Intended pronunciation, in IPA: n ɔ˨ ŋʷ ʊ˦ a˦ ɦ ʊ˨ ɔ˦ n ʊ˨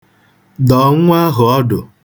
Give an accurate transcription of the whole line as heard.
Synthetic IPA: d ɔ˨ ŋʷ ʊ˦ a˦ ɦ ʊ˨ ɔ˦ d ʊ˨